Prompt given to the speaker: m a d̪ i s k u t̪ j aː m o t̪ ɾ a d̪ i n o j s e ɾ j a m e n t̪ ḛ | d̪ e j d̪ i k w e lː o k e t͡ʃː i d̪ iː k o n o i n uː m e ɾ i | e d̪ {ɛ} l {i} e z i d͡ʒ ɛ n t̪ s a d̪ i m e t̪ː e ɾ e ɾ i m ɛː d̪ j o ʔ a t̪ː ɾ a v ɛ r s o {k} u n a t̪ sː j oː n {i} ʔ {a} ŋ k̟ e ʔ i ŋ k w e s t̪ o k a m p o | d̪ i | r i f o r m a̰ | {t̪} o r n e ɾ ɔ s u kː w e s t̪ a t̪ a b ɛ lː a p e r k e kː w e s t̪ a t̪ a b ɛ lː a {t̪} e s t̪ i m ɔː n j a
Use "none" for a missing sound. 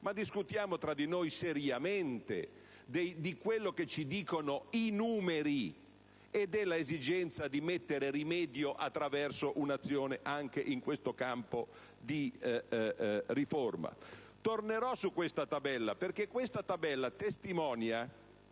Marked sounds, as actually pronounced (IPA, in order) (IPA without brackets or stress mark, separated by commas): ɛ, a, ʔ, e, a, t̪, t̪